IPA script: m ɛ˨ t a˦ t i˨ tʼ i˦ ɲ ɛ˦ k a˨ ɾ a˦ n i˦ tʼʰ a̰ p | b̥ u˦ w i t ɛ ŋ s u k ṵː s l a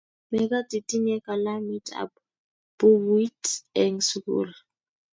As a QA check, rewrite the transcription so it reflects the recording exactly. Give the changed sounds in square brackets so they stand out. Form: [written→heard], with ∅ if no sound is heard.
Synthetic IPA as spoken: m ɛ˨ [t→k] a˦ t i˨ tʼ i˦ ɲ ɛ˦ k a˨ [ɾ→l] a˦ [n→m] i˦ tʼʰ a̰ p | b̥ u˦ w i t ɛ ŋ s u k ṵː [s→∅] l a